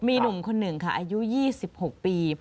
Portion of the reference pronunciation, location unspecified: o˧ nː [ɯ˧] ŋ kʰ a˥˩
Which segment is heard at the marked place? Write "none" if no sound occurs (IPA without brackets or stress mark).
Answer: ɯ˨˩